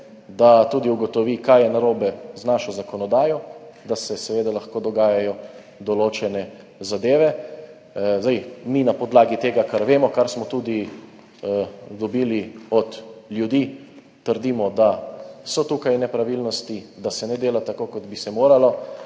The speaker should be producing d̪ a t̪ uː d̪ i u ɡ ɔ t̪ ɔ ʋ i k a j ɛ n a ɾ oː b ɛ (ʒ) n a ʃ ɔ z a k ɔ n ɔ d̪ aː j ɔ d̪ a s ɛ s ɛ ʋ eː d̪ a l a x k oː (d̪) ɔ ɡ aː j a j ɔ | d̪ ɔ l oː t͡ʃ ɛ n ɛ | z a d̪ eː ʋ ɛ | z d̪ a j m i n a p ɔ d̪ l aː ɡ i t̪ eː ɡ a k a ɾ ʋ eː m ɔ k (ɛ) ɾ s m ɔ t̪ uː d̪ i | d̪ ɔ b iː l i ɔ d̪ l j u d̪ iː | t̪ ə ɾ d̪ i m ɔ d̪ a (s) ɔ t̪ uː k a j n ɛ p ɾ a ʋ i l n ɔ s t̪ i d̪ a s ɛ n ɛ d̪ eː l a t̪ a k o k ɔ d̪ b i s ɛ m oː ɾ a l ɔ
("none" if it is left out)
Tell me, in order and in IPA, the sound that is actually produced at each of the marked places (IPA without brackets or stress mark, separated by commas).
z, d̪, a, s